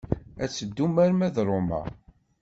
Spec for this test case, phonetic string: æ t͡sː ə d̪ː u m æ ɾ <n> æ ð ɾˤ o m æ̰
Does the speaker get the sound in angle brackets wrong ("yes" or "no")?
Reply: yes